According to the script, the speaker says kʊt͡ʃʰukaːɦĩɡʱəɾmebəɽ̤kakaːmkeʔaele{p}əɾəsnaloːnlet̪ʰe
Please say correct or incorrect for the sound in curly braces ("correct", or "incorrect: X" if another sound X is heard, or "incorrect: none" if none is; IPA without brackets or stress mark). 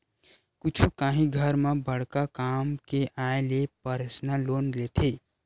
correct